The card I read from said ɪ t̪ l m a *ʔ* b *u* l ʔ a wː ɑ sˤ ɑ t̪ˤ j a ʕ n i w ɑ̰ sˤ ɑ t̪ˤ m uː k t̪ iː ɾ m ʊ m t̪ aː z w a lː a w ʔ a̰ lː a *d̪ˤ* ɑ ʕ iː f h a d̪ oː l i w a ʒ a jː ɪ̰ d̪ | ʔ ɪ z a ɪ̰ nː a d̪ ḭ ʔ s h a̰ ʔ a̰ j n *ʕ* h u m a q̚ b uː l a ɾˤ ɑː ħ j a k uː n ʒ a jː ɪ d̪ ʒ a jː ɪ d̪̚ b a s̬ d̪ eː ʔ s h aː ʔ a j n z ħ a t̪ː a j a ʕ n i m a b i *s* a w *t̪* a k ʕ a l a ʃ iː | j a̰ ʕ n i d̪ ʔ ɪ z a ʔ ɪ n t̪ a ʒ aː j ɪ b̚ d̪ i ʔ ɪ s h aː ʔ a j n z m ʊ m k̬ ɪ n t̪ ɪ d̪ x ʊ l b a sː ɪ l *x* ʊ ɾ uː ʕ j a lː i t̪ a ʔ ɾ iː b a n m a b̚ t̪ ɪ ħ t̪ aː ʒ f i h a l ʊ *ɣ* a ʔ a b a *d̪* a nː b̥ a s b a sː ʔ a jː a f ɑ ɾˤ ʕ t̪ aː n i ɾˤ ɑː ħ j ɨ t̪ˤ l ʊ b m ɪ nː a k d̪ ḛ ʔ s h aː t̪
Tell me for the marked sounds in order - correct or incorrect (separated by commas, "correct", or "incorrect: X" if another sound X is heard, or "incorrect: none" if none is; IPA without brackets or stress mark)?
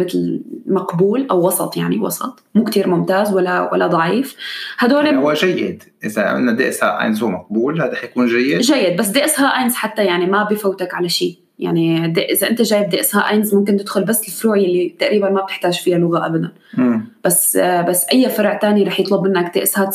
incorrect: q, incorrect: uː, correct, incorrect: z, incorrect: f, correct, incorrect: f, correct, correct